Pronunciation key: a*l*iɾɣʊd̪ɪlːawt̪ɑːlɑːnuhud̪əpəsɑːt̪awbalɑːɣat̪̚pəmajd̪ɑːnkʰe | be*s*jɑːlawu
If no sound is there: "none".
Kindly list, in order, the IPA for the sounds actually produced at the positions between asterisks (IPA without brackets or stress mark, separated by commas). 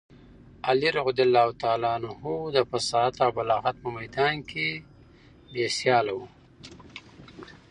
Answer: l, s